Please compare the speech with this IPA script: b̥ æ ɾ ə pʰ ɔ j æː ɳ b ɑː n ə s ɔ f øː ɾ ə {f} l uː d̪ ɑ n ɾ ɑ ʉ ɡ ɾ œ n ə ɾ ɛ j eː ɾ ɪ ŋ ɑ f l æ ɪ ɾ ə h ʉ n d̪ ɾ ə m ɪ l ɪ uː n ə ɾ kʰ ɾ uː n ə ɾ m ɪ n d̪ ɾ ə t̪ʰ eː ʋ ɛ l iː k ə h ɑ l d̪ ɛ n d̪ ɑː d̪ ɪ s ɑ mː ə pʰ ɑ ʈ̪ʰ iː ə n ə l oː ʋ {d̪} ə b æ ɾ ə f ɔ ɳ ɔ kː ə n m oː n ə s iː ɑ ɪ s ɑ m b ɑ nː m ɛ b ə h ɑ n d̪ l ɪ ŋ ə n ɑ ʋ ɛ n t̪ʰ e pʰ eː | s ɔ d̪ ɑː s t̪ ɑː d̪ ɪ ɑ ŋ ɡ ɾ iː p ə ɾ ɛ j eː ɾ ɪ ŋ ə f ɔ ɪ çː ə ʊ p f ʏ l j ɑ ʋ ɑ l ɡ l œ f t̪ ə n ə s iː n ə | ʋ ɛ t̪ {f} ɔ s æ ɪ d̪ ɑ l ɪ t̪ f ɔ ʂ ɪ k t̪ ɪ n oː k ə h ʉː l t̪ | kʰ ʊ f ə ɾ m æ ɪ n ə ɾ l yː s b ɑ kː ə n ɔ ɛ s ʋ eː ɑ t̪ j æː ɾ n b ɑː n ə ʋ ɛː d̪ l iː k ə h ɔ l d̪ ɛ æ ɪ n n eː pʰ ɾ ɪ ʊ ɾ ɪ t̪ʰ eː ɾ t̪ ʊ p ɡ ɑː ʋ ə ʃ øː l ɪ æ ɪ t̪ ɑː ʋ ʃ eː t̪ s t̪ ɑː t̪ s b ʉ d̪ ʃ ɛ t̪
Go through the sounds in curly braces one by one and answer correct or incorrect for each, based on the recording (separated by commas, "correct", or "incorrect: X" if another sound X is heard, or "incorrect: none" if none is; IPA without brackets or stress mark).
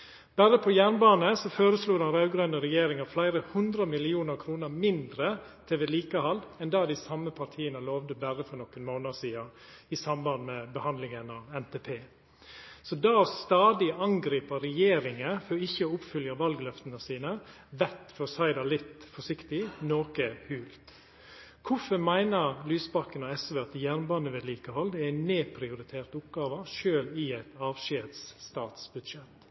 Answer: incorrect: s, correct, correct